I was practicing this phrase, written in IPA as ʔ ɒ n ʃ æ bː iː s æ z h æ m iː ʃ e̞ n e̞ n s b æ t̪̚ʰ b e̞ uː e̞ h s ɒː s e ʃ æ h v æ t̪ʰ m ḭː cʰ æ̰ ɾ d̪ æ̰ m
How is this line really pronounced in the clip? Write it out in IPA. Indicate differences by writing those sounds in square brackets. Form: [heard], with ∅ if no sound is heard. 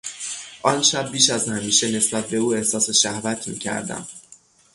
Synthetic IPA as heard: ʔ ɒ n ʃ æ bː iː [ʃ] æ z h æ m iː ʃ e̞ n e̞ [∅] s b æ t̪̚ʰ b e̞ uː e̞ h s ɒː s e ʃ æ h v æ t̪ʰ m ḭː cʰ æ̰ ɾ d̪ æ̰ m